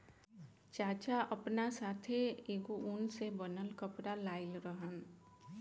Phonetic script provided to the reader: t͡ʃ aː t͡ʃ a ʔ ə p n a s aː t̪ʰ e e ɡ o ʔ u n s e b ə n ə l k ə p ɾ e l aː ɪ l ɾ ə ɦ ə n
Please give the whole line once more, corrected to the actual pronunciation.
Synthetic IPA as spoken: t͡ʃ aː t͡ʃ a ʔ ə p n a s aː t̪ʰ e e ɡ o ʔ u n s e b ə n ə l k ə p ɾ a l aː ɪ l ɾ ə ɦ ə n